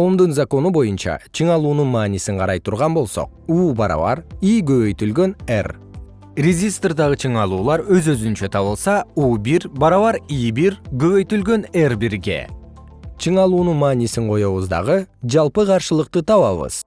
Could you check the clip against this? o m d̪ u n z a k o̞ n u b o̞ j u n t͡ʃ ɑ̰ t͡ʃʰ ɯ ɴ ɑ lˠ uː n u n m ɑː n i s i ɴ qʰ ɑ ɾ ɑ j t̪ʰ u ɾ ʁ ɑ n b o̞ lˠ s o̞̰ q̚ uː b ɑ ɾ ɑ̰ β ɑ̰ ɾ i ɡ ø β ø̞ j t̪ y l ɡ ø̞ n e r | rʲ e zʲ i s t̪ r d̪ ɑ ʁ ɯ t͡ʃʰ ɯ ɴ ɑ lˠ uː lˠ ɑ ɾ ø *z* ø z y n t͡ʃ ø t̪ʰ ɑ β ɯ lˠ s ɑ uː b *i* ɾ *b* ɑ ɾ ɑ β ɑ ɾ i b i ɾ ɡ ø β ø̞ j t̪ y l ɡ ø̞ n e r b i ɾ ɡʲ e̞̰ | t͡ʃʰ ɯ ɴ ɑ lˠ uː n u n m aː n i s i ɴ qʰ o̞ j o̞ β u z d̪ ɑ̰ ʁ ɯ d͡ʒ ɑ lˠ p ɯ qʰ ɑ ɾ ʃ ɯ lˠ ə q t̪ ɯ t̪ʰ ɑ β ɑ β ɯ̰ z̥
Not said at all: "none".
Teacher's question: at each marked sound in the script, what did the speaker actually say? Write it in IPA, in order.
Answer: z, i, b

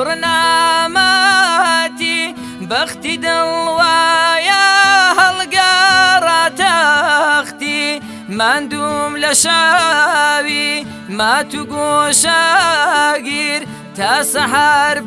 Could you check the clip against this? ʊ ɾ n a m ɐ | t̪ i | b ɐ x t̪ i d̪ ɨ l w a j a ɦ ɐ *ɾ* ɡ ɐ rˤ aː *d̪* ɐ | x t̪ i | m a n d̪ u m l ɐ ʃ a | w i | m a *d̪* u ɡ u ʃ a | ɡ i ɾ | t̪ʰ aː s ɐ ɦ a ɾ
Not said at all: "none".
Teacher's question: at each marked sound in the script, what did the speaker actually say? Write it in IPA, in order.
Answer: l, t̪, t̪

